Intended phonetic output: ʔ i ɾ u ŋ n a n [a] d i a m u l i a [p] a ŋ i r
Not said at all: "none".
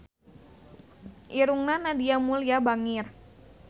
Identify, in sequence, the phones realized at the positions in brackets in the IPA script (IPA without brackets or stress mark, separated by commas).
a, b